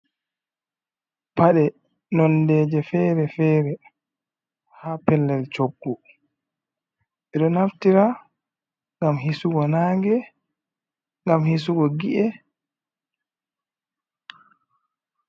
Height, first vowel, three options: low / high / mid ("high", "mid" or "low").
low